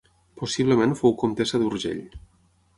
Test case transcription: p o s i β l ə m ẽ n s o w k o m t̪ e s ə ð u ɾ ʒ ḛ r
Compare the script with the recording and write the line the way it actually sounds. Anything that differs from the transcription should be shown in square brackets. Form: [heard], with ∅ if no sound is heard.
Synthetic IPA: p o s i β l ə m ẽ n [f] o w k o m t̪ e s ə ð u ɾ ʒ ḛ [ʎ]